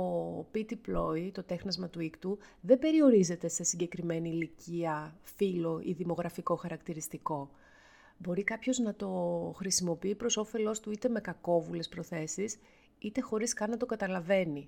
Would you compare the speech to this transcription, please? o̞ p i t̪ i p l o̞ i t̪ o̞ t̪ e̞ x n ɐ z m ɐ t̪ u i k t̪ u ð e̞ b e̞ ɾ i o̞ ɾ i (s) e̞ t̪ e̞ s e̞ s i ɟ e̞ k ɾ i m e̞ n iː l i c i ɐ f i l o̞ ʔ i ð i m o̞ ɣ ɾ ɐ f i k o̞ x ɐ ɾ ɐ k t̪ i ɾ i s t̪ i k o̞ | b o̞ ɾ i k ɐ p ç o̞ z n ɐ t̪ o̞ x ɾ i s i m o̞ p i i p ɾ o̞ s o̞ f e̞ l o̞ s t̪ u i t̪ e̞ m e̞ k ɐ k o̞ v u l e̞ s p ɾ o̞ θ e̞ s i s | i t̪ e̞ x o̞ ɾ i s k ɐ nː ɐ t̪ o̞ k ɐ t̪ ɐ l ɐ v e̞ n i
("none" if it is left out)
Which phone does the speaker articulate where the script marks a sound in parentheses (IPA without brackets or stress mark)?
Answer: z